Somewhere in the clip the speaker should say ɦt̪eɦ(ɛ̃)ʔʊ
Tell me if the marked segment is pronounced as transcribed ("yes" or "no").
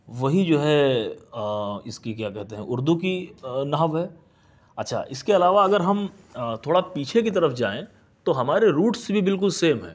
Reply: yes